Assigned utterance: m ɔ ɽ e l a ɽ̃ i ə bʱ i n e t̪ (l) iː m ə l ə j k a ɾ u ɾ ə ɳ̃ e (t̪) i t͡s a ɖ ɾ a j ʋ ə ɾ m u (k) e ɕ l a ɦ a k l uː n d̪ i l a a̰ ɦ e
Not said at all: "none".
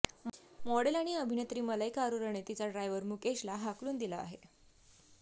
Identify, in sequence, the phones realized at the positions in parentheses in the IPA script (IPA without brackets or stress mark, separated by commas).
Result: ɾ, t̪, k